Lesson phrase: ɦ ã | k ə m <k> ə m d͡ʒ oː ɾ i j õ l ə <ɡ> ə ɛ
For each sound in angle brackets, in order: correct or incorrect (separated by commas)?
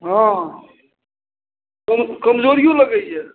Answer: correct, correct